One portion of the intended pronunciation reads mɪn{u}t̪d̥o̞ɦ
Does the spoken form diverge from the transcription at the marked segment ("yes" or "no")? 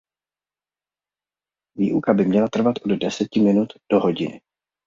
no